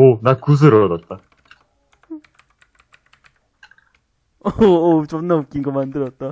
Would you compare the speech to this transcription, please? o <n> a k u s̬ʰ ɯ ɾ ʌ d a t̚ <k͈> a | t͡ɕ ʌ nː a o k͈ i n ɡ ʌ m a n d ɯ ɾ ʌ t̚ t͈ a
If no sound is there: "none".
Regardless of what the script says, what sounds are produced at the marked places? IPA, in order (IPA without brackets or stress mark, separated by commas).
n, t͈